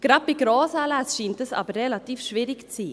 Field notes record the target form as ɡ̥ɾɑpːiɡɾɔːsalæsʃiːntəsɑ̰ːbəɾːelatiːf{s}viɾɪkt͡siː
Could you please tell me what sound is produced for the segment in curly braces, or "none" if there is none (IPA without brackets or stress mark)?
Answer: ʃ